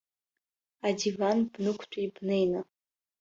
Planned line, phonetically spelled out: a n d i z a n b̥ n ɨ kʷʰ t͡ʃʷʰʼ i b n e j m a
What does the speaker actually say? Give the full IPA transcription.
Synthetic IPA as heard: a d i v a n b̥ n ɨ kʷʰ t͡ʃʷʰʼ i b n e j n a